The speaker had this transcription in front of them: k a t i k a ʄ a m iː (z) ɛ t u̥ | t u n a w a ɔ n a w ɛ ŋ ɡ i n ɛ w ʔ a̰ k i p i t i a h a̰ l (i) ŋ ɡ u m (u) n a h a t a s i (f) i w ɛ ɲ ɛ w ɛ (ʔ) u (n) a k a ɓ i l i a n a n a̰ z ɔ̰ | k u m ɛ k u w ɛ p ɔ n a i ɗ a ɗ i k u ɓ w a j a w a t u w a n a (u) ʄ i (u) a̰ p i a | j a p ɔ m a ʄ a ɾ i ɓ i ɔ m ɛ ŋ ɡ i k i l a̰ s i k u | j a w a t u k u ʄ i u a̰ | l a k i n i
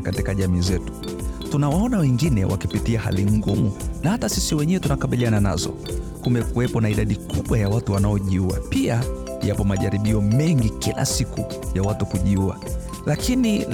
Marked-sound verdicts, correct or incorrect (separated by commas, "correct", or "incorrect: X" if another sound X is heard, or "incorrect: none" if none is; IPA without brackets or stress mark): correct, correct, correct, incorrect: s, incorrect: t, correct, incorrect: ɔ, correct